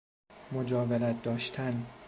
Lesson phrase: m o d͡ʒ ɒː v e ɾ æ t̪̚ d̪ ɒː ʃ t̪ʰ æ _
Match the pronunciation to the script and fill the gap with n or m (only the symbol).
n